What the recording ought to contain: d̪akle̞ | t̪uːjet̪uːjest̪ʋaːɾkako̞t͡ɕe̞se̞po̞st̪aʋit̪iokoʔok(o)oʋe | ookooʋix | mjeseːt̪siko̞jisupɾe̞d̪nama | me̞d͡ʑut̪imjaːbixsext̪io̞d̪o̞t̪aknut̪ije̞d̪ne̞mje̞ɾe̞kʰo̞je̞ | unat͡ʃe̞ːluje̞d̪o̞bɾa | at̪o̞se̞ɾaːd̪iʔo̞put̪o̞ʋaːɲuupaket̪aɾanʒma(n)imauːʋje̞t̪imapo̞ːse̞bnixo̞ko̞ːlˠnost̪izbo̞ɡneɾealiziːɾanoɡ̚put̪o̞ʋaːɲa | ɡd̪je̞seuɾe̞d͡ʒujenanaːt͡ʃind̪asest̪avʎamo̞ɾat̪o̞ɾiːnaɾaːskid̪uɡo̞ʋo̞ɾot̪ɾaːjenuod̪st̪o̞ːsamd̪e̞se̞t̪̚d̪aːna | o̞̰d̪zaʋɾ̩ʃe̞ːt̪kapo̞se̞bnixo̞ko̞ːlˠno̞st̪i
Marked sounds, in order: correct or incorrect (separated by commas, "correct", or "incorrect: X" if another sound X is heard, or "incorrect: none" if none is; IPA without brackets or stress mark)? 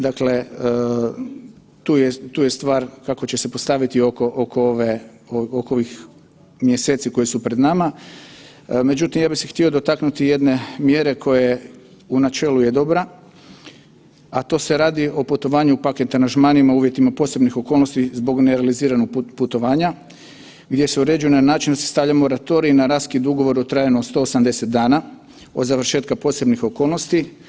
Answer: correct, correct